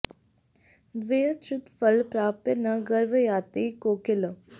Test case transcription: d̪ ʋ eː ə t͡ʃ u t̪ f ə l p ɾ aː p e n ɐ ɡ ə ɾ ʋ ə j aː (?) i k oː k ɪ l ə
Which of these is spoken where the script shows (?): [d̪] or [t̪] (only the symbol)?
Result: t̪